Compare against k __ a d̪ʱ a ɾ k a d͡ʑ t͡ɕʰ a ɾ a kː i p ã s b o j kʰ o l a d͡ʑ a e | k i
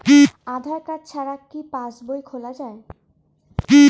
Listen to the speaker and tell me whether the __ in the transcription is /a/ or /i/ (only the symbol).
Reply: i